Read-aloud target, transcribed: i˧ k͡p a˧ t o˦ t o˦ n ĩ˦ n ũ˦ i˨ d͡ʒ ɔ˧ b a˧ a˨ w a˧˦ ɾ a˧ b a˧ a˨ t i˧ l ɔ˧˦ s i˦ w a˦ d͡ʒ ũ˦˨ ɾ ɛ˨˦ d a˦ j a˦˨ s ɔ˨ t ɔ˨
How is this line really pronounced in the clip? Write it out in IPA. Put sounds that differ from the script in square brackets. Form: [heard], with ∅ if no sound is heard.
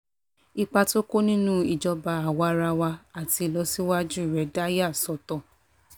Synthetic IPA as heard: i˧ k͡p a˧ t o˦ [k] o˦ n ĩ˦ n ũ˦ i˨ d͡ʒ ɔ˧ b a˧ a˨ w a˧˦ ɾ a˧ [w] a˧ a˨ t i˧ l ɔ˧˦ s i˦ w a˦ d͡ʒ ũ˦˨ ɾ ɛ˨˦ d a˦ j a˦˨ s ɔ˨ t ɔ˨